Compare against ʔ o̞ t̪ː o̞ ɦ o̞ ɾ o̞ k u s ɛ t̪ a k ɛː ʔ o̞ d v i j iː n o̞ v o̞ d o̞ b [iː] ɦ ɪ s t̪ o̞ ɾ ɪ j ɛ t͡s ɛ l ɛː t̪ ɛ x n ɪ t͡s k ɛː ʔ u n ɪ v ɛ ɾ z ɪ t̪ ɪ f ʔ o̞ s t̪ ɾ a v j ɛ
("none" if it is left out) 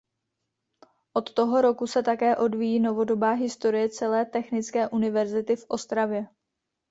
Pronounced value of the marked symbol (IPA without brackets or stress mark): aː